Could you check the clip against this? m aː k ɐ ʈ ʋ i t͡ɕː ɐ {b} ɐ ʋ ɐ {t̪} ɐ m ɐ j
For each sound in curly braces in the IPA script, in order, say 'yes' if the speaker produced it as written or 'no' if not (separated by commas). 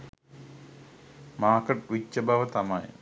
yes, yes